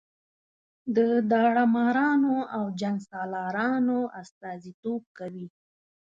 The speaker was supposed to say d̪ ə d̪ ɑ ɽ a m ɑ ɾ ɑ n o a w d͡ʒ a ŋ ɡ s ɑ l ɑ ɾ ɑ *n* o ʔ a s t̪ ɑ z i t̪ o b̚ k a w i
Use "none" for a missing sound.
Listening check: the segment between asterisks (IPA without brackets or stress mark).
n